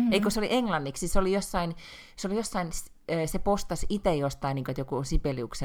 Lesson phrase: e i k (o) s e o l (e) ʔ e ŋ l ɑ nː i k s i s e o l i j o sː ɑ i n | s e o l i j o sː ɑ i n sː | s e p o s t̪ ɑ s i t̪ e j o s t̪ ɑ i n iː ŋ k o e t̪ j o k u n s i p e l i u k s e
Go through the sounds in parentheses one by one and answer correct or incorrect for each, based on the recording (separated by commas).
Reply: correct, incorrect